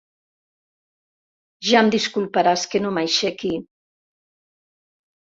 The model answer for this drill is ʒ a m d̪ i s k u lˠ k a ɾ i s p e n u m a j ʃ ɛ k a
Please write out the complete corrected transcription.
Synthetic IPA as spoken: ʒ a m d̪ i s k u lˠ p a ɾ a s k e n o m a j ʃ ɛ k i